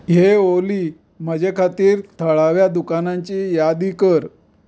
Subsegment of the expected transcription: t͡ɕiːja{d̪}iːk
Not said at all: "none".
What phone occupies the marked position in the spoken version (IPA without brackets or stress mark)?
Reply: d̪